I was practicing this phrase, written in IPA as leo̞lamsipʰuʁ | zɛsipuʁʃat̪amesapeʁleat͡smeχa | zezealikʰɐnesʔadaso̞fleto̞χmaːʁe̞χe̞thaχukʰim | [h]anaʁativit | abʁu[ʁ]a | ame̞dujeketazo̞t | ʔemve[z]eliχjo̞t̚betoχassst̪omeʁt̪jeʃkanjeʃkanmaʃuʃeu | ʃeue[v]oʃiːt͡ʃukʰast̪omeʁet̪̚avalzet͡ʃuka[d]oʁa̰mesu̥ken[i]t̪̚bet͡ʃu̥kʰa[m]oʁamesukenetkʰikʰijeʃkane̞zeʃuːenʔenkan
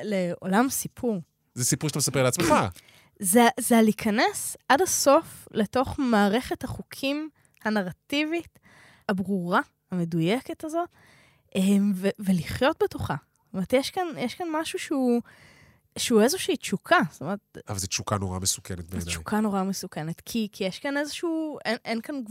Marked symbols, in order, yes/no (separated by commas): yes, yes, no, no, no, no, no